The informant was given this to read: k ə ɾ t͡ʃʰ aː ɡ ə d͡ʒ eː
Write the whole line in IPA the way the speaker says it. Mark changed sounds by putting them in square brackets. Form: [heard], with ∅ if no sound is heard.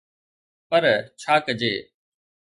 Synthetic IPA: [p] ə ɾ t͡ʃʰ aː [k] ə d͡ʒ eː